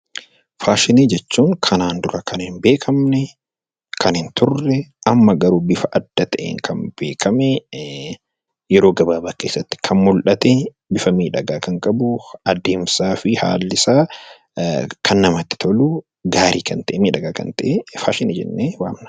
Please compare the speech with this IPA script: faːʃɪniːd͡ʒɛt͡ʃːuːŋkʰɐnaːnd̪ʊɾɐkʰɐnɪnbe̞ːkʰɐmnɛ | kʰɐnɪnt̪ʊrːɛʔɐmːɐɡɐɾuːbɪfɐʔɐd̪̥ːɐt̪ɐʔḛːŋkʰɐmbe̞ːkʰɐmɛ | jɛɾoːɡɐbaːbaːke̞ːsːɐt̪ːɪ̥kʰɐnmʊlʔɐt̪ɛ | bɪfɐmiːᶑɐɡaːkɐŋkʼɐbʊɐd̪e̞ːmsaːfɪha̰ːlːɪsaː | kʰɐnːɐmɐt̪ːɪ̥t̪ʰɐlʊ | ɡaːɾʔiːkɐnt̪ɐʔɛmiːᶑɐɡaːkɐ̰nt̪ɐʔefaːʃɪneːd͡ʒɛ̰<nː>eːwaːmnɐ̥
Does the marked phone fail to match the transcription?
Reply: no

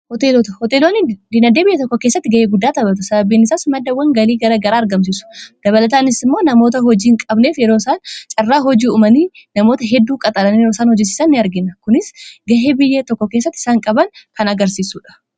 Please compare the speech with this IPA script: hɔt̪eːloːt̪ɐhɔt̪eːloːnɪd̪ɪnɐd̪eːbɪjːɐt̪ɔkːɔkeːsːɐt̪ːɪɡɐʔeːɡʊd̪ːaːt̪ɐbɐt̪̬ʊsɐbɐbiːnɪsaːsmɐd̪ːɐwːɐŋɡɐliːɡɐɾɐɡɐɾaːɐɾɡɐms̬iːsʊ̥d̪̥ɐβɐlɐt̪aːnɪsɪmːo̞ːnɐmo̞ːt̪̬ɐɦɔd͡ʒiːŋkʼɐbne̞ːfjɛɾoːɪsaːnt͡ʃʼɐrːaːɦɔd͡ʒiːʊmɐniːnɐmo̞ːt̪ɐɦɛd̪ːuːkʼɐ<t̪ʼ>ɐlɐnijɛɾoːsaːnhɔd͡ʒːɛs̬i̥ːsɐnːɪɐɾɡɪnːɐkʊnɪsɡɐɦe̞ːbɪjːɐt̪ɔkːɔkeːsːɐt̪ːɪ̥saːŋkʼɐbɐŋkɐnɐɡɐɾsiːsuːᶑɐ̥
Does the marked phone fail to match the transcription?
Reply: no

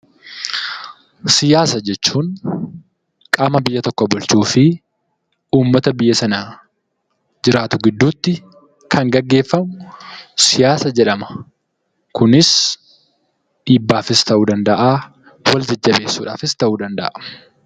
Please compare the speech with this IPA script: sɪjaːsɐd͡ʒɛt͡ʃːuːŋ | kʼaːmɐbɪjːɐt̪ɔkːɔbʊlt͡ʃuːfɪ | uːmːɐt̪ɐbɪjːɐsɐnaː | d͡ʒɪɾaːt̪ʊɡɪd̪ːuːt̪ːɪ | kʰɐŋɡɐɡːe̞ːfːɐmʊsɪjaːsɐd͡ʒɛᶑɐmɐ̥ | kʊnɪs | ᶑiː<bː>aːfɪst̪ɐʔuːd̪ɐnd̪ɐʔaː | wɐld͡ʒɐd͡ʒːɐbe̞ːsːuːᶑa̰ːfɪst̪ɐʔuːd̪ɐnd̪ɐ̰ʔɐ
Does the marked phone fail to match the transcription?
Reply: no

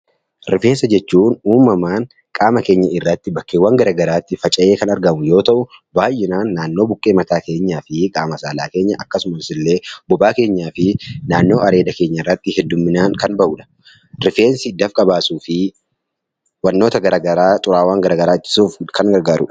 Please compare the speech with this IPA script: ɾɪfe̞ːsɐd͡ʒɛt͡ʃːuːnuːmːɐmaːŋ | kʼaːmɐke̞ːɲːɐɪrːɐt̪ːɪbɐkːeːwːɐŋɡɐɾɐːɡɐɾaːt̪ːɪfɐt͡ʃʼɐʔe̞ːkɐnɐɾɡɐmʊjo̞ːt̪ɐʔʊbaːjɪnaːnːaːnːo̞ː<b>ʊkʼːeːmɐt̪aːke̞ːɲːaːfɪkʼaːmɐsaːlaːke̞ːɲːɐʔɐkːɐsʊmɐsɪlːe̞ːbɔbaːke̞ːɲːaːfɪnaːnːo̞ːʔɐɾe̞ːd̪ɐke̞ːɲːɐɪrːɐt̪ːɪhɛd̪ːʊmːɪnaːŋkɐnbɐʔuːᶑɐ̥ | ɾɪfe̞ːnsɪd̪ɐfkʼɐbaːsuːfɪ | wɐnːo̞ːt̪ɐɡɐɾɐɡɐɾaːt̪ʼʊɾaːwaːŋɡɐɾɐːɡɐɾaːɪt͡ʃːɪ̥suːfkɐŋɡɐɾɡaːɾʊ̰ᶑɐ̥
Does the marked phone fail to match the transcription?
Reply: no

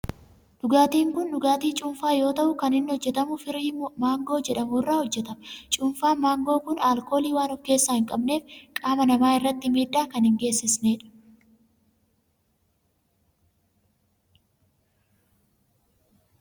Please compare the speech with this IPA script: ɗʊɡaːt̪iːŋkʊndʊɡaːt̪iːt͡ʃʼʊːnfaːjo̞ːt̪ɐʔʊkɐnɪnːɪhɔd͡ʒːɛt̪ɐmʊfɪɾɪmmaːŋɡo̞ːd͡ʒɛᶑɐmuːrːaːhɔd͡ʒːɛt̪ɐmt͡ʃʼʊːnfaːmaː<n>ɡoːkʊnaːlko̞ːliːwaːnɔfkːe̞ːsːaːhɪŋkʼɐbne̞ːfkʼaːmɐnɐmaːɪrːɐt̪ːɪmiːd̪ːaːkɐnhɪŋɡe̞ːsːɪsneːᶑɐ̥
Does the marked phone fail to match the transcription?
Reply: yes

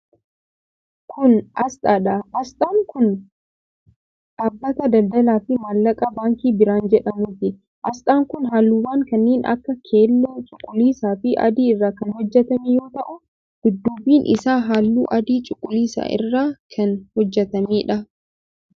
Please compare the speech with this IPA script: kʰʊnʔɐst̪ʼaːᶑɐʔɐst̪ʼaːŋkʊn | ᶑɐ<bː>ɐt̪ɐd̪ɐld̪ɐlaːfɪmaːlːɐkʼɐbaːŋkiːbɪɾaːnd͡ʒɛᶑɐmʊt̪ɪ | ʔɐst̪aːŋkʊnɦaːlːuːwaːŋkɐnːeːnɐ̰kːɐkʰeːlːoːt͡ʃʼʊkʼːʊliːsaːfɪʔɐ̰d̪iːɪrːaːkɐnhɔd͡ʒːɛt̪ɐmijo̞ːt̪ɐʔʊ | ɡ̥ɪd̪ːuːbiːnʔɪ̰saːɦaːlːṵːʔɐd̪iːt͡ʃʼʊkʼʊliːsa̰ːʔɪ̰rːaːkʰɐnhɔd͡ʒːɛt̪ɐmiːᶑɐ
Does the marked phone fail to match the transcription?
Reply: no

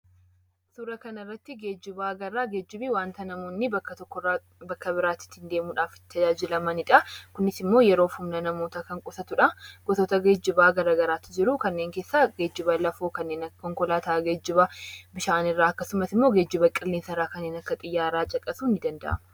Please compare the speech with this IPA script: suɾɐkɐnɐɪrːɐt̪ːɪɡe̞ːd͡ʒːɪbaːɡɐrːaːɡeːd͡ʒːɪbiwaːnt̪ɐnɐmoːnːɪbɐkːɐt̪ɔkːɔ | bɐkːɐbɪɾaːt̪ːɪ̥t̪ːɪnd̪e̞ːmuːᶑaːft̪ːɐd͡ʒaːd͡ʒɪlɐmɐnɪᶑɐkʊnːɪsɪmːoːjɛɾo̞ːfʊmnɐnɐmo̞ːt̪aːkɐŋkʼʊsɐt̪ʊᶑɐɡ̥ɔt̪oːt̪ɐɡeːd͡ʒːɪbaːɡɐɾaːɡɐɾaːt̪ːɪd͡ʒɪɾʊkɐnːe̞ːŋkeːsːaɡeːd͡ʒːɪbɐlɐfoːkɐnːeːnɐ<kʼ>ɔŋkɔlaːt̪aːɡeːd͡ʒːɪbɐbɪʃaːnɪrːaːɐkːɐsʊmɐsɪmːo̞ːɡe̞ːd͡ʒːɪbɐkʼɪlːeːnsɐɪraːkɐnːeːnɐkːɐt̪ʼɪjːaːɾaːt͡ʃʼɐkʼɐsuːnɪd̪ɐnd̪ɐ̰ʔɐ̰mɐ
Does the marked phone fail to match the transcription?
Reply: yes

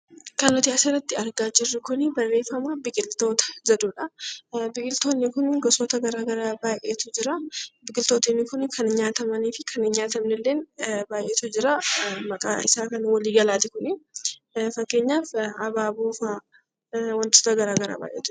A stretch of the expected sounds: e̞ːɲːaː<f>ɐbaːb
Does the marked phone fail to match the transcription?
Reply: no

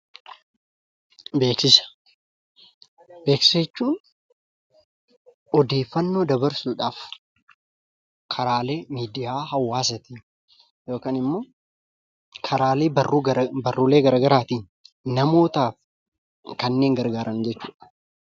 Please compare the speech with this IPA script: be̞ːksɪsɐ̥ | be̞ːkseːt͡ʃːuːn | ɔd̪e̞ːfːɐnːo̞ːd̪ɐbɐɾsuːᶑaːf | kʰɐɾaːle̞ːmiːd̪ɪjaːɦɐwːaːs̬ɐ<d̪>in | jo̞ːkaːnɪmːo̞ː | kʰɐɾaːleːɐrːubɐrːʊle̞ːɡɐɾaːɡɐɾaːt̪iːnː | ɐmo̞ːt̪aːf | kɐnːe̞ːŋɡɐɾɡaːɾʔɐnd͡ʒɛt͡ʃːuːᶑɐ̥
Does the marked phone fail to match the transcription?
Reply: yes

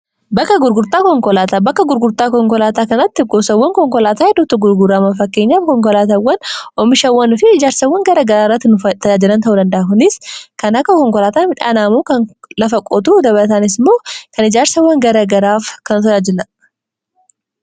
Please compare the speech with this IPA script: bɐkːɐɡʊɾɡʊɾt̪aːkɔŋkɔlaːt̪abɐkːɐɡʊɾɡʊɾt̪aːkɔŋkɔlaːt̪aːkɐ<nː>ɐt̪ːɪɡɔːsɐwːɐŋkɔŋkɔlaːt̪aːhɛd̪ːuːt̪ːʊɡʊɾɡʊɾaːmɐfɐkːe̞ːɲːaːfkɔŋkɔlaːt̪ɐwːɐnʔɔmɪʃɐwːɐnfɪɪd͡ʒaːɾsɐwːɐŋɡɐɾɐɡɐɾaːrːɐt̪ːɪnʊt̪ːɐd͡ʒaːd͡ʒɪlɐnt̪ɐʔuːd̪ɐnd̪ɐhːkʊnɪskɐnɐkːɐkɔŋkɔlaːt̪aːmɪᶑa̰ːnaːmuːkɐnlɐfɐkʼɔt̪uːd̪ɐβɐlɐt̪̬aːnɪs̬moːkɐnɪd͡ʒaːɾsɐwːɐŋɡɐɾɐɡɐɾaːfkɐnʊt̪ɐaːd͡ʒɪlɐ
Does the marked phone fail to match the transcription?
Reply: yes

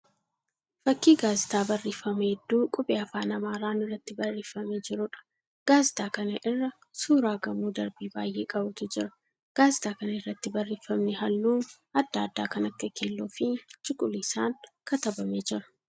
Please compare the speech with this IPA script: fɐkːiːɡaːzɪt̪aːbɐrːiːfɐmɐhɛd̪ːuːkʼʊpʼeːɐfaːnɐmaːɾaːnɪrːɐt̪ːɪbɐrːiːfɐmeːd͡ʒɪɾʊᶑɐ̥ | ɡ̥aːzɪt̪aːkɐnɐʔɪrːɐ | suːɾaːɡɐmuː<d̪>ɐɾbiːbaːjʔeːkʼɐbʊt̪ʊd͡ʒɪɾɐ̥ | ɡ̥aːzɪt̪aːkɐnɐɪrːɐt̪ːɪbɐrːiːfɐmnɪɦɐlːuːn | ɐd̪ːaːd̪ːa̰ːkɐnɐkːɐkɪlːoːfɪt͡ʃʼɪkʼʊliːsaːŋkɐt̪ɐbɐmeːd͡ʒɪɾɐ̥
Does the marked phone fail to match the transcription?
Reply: no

